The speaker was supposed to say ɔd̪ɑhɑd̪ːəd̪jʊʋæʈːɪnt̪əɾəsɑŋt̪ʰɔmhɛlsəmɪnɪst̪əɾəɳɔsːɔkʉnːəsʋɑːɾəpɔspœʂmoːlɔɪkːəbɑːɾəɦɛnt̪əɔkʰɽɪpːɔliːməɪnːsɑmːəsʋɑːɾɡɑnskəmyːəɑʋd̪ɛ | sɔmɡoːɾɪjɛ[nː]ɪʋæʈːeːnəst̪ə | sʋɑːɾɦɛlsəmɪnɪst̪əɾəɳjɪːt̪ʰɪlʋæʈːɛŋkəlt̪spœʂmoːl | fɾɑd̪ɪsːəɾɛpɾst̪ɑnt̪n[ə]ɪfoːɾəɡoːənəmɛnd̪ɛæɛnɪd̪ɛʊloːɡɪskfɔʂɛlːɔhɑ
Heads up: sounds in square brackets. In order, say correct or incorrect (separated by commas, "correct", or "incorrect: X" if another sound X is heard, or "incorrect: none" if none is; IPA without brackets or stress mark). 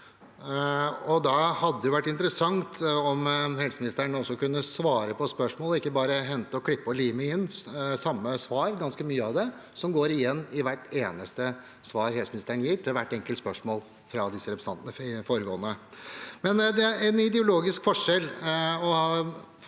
correct, correct